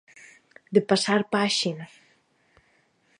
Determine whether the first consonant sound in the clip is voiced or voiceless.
voiced